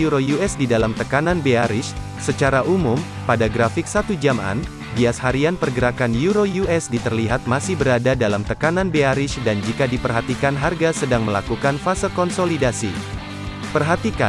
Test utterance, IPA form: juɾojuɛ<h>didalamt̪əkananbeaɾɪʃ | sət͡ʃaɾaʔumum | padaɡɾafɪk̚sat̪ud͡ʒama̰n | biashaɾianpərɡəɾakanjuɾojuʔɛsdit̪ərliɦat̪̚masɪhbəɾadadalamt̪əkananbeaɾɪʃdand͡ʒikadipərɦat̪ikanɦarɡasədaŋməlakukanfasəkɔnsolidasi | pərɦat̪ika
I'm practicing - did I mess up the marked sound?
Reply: yes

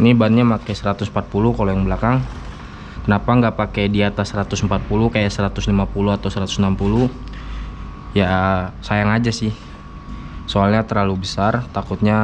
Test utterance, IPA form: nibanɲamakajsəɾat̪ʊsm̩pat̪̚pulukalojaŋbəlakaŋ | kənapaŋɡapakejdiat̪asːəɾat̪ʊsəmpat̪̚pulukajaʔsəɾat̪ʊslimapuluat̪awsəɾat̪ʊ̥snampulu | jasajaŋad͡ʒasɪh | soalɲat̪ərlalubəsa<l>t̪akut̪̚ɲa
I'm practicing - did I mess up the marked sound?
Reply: yes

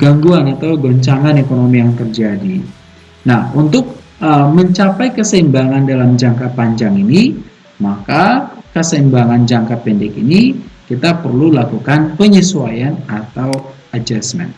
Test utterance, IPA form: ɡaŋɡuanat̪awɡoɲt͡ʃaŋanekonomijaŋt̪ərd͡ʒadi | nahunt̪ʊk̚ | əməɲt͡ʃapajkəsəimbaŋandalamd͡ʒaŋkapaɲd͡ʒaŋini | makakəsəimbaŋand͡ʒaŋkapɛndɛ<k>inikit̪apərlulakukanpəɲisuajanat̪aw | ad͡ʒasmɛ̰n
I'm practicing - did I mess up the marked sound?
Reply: no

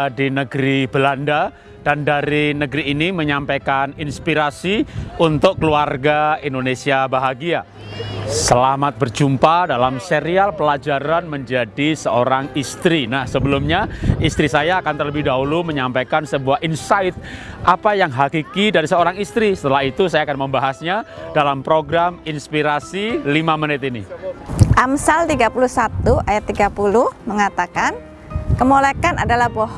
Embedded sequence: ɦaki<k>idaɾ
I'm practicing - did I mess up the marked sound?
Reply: no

